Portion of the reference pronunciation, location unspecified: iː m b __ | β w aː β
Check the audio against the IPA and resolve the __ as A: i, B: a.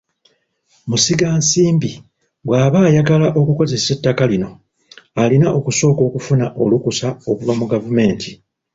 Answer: A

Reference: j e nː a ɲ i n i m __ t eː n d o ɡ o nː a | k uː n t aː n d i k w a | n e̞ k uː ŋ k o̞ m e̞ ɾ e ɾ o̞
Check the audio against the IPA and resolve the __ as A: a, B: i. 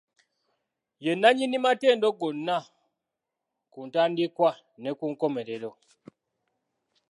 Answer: A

